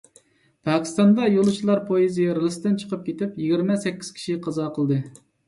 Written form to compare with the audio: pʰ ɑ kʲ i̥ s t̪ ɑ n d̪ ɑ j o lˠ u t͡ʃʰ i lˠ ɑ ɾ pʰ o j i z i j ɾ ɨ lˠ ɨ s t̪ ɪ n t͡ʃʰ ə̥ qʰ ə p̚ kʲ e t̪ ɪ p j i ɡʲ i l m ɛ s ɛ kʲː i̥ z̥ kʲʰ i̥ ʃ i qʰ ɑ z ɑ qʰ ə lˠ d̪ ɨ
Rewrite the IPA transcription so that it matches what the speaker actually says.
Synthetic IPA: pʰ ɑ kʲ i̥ s t̪ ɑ n d̪ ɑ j o lˠ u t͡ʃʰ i lˠ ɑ ɾ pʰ o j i z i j ɾ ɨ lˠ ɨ s t̪ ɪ n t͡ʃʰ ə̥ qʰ ə p̚ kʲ e t̪ ɪ p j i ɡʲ i ɾ m ɛ s ɛ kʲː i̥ z̥ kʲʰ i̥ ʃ i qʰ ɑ z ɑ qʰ ə lˠ d̪ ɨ

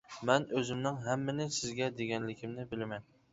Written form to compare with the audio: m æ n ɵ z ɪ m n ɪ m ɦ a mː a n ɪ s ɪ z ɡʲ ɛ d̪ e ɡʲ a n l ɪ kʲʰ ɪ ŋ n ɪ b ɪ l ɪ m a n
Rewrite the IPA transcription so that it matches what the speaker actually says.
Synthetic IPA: m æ n ɵ z ɪ m n ɪ ŋ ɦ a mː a n ɪ s ɪ z ɡʲ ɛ d̪ e ɡʲ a n l ɪ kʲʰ ɪ m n ɪ b ɪ l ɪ m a n

